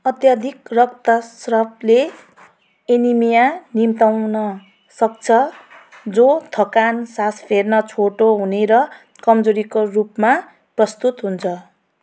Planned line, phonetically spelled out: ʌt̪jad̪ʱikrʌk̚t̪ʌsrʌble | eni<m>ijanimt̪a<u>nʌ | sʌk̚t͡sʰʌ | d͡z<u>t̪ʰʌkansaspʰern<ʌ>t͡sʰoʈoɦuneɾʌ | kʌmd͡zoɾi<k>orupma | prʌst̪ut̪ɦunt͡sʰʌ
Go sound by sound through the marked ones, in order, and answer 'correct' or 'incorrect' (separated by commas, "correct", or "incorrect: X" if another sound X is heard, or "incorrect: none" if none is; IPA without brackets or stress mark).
correct, incorrect: w, incorrect: o, correct, correct